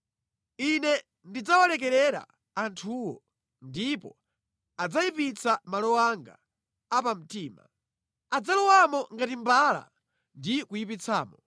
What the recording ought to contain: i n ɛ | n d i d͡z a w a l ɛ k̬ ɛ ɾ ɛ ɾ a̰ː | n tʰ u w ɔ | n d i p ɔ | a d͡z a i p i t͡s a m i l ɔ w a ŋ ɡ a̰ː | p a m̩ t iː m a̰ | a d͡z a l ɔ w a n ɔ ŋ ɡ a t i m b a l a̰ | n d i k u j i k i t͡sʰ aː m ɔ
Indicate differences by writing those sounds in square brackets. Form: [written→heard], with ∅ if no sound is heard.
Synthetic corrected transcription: i n ɛ | n d i d͡z a w a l ɛ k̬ ɛ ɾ ɛ ɾ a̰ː | n tʰ u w ɔ | n d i p ɔ | a d͡z a i p i t͡s a m [i→a] l ɔ w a ŋ ɡ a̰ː | p a m̩ t iː m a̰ | a d͡z a l ɔ w a [n→m] ɔ ŋ ɡ a t i m b a l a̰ | n d i k u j i [k→p] i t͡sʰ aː m ɔ